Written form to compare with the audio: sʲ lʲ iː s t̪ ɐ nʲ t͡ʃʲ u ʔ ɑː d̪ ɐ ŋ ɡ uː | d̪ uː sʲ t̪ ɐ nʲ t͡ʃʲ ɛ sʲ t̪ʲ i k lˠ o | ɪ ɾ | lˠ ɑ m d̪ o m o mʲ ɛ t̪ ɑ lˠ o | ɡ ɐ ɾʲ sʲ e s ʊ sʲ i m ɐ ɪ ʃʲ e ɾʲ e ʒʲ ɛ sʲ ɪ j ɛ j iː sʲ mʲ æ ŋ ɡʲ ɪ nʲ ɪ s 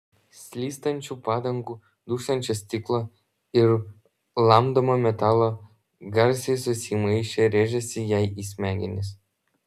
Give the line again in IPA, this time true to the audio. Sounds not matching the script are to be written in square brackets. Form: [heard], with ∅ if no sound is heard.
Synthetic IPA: sʲ lʲ iː s t̪ ɐ nʲ t͡ʃʲ u [p] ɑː d̪ ɐ ŋ ɡ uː | d̪ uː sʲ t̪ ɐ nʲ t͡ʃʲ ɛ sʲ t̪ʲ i k lˠ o | ɪ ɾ | lˠ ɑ m d̪ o m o mʲ ɛ t̪ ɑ lˠ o | ɡ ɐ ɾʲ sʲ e s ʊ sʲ i m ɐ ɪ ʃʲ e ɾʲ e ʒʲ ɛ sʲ ɪ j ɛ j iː sʲ mʲ æ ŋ ɡʲ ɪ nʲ ɪ s